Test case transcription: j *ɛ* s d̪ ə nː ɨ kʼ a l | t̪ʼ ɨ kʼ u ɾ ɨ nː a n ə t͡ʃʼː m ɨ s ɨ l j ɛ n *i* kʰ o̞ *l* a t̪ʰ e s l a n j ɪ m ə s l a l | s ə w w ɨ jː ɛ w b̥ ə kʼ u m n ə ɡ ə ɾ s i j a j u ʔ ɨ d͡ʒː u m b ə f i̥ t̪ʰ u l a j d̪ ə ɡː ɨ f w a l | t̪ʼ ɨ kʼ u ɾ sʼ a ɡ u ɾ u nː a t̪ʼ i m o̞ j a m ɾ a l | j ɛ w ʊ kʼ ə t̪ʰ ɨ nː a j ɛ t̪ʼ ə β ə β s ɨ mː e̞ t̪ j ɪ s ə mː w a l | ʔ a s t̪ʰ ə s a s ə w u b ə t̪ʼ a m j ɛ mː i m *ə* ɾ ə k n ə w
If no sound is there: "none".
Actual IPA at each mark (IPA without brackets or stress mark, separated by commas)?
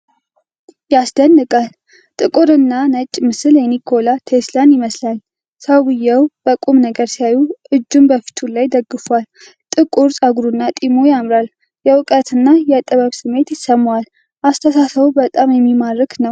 a, i, l, a